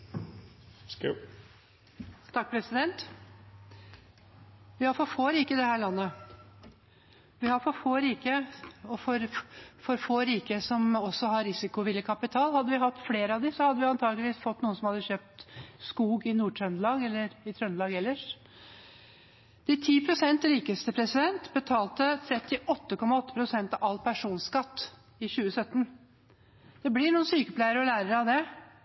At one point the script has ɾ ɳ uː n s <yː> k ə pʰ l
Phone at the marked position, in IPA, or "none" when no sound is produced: yː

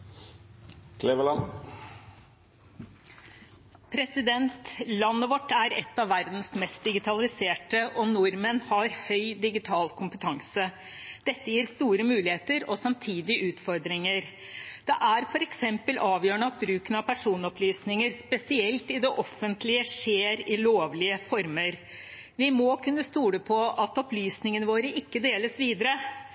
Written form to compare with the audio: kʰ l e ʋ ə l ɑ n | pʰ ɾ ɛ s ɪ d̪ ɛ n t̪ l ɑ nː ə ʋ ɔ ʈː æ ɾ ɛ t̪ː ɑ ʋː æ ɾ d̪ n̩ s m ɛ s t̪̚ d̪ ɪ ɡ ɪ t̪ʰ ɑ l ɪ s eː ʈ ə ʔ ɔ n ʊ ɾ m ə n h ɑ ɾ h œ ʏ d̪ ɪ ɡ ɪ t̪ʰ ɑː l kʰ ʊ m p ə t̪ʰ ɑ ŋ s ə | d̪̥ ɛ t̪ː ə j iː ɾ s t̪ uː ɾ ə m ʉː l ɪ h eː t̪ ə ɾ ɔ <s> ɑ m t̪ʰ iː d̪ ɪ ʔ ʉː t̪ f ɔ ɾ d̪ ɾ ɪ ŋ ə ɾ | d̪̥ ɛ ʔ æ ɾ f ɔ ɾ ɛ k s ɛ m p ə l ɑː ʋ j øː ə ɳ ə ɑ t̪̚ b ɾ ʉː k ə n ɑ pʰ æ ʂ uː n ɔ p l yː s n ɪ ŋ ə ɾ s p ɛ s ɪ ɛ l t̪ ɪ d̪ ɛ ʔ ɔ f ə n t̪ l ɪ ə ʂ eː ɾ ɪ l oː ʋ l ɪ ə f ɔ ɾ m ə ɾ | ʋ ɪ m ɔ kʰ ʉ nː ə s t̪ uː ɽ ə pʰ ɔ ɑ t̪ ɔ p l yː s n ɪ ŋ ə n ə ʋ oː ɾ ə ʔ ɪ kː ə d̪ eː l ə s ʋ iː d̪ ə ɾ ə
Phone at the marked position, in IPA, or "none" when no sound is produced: s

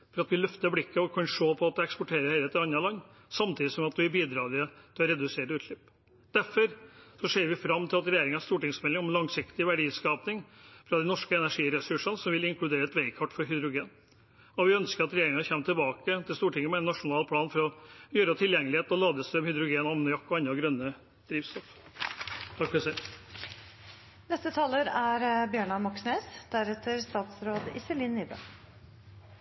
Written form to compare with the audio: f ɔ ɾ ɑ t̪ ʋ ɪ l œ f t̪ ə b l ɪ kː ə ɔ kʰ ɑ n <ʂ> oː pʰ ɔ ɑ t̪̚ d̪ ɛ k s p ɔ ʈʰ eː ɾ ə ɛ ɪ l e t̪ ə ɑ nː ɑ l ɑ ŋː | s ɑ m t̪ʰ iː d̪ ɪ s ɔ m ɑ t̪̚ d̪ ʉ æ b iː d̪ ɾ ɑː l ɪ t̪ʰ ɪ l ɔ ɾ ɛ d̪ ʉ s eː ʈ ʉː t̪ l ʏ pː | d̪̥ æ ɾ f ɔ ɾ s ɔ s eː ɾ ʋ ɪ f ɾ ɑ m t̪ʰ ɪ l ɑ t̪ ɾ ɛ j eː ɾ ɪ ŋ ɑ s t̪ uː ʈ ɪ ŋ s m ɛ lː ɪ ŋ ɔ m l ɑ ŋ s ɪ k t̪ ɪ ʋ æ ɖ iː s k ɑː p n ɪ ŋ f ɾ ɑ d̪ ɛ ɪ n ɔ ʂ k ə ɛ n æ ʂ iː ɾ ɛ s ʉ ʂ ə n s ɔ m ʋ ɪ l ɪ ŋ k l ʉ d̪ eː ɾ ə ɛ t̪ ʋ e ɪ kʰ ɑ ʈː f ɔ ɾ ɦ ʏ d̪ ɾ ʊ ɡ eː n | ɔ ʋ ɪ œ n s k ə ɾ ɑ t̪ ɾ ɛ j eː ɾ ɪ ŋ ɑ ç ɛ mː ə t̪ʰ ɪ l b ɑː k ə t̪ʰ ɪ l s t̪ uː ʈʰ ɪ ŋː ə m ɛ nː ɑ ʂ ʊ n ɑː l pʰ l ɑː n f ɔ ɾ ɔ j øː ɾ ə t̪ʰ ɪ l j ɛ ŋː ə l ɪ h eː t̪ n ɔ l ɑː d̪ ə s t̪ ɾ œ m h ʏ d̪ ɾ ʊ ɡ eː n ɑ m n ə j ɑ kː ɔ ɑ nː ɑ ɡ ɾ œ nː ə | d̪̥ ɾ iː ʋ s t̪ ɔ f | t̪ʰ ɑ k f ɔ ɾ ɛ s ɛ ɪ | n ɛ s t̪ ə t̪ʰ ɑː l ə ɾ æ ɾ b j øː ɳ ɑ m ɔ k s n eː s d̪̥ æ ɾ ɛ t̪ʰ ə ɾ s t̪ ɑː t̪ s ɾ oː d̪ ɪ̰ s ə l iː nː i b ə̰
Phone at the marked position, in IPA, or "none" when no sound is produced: ʂ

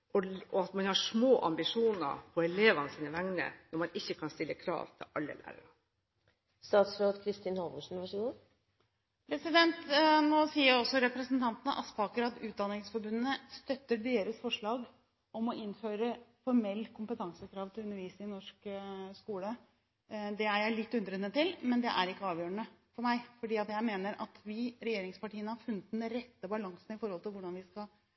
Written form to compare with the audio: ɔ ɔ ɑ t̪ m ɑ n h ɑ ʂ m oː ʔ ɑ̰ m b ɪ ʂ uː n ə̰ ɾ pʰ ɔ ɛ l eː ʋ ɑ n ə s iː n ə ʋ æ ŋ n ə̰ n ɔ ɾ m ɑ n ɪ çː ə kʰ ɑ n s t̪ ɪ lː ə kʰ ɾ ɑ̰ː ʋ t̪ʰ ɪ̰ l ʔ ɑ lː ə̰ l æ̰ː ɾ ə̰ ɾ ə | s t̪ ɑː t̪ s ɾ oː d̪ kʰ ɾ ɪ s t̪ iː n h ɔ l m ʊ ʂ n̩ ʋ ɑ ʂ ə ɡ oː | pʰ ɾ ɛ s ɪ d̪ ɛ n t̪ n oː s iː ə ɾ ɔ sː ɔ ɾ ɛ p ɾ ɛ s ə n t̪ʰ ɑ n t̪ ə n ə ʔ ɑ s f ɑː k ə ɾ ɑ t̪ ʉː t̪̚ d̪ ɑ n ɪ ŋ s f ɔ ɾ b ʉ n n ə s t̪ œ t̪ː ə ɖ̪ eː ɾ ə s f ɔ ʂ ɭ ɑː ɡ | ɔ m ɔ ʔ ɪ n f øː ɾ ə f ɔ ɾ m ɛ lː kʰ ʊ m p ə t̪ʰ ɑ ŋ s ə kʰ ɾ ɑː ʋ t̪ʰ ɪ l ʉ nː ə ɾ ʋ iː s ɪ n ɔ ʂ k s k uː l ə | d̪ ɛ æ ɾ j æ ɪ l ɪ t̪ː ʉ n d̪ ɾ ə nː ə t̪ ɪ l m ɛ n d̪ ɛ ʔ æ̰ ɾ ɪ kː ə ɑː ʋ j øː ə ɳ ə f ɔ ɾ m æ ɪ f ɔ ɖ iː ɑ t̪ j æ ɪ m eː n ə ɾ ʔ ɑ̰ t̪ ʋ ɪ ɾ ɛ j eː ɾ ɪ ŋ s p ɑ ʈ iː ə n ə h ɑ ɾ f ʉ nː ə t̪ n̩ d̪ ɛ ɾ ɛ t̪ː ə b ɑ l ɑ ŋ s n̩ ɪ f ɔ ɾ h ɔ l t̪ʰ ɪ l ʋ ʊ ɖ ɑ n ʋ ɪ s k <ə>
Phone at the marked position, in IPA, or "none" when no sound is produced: ɑ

